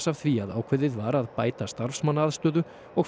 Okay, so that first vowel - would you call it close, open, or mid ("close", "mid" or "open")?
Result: open